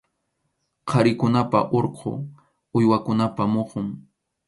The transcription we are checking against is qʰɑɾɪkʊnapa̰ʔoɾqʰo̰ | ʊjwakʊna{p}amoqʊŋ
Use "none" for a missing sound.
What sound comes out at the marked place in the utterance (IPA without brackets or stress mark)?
p